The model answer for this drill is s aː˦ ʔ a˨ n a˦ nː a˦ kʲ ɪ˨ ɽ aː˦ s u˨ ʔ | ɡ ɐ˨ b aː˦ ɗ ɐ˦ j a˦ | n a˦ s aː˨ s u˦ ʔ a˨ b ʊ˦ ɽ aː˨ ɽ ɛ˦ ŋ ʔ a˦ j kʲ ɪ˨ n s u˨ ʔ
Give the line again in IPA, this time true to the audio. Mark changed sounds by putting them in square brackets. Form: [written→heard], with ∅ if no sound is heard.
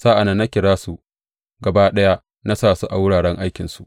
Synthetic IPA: s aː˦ ʔ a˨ n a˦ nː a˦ kʲ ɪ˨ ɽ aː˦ s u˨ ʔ | ɡ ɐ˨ b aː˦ ɗ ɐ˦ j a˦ | n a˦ s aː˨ s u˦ ʔ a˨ [b→w] ʊ˦ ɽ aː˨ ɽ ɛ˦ ŋ ʔ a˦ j kʲ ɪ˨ n s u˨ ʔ